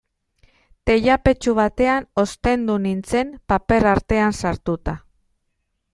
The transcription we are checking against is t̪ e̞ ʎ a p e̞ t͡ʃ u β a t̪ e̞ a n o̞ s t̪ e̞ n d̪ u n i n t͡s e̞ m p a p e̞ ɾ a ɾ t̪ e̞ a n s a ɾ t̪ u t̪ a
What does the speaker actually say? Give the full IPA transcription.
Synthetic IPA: t̪ e̞ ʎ a p e̞ t͡ʃ u β a t̪ e̞ a n o̞ s t̪ e̞ n d̪ u n i n t͡s e̞ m p a p e̞ ɾ a ɾ t̪ e̞ a n s a ɾ t̪ u t̪ a